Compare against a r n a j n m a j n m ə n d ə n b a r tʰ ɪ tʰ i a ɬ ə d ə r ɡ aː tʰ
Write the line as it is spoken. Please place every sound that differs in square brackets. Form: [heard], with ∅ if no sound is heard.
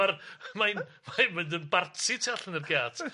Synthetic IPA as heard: a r [m] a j n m a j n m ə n d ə n b a r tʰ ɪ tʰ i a ɬ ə [n] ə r ɡ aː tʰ